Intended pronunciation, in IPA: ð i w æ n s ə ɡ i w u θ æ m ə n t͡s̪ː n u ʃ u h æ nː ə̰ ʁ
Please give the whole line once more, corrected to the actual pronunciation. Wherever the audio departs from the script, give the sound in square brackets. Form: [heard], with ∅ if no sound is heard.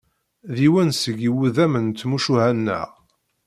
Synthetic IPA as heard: ð i w æ n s ə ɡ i w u [ð] æ m ə n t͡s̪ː [m] u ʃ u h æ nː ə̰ ʁ